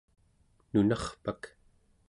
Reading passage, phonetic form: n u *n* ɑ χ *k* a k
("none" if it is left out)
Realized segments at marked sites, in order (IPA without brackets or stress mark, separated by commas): n, p